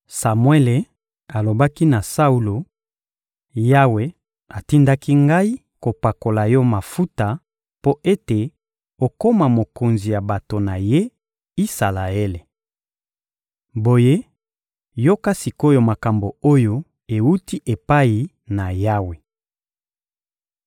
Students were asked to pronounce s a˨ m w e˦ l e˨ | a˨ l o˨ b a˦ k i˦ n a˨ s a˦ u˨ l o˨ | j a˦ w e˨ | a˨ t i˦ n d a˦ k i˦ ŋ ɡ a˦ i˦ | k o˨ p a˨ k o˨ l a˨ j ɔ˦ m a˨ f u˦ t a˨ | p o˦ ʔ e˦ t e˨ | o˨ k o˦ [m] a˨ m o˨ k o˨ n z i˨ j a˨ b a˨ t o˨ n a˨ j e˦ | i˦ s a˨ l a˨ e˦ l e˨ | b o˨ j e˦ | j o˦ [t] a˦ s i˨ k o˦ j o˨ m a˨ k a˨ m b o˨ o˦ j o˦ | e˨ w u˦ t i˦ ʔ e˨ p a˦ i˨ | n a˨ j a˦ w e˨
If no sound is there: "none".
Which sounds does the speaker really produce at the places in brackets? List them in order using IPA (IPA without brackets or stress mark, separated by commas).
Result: m, k